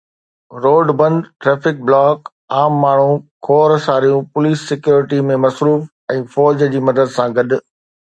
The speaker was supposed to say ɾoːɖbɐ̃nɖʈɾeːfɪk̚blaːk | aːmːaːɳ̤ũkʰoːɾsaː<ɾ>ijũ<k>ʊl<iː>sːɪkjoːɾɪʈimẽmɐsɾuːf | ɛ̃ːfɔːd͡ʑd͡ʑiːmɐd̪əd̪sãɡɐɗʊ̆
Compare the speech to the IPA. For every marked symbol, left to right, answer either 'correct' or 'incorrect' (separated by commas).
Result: correct, incorrect, correct